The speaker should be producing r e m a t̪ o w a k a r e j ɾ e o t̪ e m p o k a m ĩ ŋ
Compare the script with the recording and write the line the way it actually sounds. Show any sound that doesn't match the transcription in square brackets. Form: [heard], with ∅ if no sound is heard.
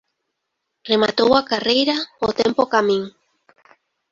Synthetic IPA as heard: r e m a t̪ o w a k a r e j ɾ [a] o t̪ e m p o k a m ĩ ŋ